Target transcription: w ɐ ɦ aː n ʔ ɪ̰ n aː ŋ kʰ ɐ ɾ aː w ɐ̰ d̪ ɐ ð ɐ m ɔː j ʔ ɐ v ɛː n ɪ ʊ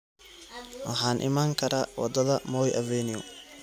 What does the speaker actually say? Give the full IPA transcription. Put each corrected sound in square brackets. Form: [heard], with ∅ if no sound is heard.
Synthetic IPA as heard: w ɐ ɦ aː n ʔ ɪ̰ [m] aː ŋ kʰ ɐ ɾ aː w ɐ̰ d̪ ɐ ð ɐ m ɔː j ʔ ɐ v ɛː n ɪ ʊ